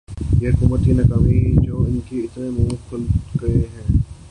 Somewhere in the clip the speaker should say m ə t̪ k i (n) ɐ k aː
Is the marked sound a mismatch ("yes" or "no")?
no